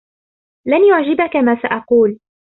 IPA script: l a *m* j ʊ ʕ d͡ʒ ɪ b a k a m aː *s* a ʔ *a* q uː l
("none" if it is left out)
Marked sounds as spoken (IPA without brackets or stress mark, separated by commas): n, s, ɑ